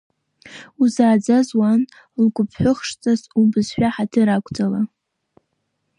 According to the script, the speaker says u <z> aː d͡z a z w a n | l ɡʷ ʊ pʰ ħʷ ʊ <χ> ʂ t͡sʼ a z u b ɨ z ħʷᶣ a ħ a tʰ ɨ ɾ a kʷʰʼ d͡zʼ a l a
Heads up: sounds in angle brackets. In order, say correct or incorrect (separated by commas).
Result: correct, correct